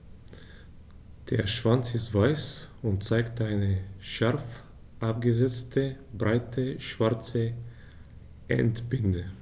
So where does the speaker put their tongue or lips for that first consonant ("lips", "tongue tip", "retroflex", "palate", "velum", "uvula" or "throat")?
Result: tongue tip